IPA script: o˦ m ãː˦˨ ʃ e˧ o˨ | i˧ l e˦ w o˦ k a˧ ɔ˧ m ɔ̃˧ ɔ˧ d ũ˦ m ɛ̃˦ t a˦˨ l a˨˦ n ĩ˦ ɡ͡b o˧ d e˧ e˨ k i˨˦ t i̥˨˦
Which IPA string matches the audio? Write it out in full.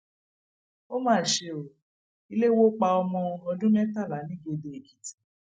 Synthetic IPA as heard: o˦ m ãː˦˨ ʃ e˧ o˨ | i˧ l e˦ w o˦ k͡p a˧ ɔ˧ m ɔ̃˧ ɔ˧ d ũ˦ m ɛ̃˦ t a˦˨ l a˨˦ n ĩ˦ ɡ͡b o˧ d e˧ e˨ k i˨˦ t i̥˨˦